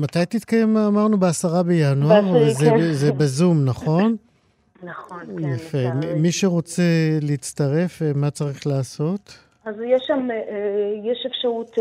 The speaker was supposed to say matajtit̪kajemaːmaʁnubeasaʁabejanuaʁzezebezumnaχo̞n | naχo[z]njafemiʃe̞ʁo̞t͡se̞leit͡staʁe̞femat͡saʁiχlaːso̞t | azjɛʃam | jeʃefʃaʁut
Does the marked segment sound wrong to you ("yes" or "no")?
yes